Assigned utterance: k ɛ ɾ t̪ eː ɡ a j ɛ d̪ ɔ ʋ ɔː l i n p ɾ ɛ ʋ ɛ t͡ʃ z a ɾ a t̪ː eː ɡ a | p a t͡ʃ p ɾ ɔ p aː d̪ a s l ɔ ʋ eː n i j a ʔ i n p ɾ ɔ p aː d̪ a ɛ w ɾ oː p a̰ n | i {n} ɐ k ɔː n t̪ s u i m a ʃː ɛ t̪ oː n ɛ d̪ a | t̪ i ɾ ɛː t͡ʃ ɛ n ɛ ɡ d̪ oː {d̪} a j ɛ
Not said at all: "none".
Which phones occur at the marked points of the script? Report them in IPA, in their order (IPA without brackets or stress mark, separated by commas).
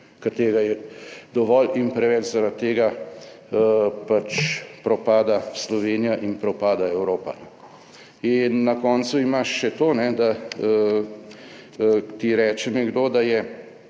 nː, d̪